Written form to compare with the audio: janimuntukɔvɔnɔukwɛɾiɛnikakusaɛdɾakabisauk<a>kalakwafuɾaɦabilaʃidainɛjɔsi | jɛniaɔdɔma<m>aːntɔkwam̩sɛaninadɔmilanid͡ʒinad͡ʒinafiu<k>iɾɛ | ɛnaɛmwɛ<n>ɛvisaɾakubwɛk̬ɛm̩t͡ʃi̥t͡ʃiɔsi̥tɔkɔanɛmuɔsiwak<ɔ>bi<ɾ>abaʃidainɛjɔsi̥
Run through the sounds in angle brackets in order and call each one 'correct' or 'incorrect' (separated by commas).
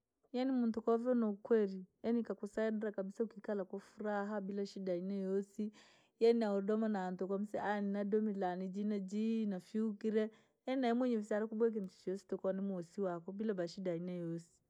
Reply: incorrect, incorrect, correct, incorrect, correct, incorrect